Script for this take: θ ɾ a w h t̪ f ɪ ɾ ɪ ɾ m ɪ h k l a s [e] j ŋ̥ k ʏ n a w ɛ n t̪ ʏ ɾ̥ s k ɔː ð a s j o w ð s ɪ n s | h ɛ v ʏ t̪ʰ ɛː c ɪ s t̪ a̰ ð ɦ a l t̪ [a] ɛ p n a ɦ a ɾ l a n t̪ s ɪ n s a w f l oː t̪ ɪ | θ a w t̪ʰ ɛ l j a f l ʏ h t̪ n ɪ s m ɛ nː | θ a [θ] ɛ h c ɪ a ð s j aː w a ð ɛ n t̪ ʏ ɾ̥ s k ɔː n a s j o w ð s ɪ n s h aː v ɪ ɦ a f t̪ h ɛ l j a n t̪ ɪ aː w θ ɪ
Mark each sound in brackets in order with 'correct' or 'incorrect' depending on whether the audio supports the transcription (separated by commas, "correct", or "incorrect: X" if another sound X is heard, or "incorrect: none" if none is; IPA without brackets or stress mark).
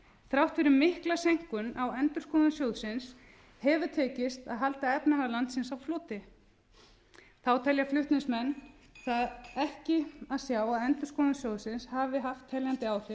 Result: correct, correct, incorrect: ð